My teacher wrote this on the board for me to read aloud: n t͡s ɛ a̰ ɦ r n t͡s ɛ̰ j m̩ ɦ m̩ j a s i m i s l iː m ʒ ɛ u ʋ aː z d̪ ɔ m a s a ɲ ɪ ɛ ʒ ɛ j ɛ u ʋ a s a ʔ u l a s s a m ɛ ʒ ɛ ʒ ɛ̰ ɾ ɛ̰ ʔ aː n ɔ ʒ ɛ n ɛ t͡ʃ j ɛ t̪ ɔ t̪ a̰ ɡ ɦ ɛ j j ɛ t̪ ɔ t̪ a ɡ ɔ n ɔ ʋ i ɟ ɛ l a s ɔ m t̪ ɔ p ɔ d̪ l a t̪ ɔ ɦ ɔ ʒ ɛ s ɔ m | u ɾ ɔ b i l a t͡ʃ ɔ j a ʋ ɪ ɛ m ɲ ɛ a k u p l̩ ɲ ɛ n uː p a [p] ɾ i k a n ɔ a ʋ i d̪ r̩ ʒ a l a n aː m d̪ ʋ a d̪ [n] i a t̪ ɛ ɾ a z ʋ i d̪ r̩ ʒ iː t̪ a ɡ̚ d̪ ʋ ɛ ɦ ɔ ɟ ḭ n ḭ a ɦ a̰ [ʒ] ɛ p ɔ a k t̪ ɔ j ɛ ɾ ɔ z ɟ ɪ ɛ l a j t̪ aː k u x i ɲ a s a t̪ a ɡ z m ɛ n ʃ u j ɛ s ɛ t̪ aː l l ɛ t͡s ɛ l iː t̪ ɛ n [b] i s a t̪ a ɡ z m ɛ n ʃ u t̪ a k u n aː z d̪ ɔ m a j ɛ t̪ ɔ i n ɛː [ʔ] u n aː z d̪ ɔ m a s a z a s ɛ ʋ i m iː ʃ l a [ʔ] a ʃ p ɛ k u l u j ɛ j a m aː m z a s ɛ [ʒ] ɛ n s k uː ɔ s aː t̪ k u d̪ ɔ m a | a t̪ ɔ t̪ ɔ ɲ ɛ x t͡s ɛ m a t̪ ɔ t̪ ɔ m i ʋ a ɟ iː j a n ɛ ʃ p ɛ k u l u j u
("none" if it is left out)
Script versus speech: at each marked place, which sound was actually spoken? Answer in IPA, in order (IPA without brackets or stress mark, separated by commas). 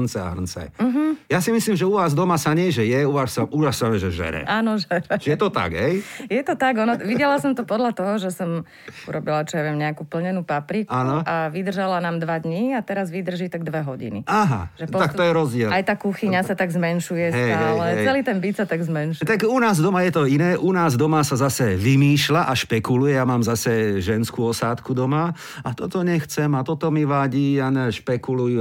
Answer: p, ɲ, ʒ, b, ʔ, ʔ, ʒ